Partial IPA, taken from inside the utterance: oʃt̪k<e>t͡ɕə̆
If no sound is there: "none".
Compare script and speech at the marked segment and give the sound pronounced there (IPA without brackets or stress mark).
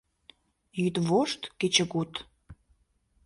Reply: e